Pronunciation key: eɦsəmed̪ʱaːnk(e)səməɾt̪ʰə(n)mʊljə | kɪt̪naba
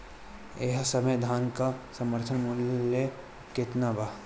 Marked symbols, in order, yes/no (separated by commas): no, yes